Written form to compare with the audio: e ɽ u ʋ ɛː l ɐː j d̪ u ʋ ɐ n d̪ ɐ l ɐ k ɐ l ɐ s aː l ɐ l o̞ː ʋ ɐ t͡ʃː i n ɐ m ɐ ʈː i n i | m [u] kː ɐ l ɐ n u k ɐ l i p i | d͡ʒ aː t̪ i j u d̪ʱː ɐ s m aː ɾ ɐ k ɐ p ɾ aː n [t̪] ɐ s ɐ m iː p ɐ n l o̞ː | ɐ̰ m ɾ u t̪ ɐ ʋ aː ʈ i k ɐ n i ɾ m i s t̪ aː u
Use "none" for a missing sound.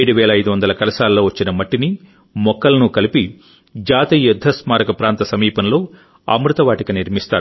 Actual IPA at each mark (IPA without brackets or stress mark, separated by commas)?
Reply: ɔ, t̪